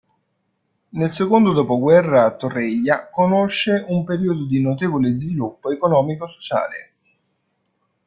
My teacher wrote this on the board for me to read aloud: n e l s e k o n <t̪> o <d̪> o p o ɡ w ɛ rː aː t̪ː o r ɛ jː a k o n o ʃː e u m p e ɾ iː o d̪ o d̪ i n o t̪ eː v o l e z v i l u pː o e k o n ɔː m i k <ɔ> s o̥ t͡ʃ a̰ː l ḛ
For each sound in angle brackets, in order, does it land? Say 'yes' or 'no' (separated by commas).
no, yes, no